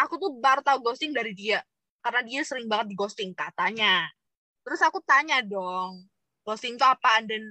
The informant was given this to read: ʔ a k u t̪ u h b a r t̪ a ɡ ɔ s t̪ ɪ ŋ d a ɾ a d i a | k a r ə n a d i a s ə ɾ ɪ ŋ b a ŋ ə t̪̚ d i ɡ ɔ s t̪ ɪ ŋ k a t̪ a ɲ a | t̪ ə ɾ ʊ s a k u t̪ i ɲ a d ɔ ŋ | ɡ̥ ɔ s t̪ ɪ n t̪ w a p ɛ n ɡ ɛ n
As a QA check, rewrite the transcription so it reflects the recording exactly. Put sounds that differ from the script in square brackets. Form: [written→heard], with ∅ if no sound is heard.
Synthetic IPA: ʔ a k u t̪ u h b a r t̪ a ɡ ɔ s t̪ ɪ ŋ d a ɾ [a→i] d i a | k a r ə n a d i a s ə ɾ ɪ ŋ b a ŋ ə t̪̚ d i ɡ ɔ s t̪ ɪ ŋ k a t̪ a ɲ a | t̪ ə ɾ ʊ s a k u t̪ [i→a] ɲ a d ɔ ŋ | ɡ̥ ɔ s t̪ ɪ [n→ŋ] t̪ [w→u] a p [ɛ→a] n [ɡ→d] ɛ n